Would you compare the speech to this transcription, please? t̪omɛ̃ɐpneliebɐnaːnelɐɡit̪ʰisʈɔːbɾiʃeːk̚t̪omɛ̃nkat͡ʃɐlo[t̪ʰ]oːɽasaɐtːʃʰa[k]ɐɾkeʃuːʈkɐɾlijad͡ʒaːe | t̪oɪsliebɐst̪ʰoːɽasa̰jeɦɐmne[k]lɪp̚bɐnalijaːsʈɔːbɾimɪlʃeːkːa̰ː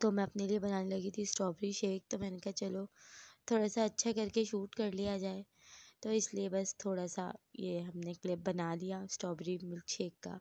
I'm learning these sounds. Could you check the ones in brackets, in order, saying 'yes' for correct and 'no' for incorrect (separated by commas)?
yes, yes, yes